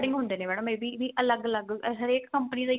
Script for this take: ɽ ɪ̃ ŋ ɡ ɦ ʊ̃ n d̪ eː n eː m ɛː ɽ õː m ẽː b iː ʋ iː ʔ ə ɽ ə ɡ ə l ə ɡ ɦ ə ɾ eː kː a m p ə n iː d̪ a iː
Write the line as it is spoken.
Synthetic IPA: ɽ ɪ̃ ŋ ɡ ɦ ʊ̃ n d̪ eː n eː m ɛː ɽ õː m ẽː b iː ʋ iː ʔ ə l ə ɡ ə l ə ɡ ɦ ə ɾ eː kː ə m p ə n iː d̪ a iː